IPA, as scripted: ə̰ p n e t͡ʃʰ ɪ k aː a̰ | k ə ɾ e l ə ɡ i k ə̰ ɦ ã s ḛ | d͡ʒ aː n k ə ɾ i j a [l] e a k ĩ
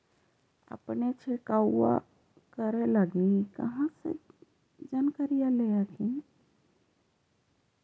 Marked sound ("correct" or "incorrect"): correct